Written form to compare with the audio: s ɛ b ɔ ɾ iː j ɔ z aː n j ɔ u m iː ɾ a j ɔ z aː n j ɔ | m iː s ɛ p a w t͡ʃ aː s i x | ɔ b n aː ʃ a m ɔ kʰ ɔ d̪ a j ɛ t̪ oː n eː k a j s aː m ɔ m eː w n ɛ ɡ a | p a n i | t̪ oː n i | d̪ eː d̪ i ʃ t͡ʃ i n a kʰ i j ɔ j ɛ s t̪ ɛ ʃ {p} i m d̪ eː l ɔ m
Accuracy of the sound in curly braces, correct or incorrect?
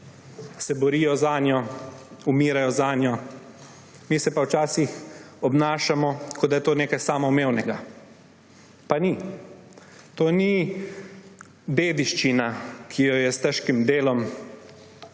incorrect